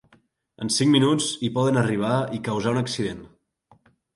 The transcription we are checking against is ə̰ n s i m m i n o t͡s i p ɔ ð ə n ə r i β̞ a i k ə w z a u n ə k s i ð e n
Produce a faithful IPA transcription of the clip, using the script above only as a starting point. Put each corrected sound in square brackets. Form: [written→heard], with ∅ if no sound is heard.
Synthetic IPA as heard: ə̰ n s i [m→ŋ] m i n [o→u] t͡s i p ɔ ð ə n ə r i β̞ a i k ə w z a u n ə k s i ð e n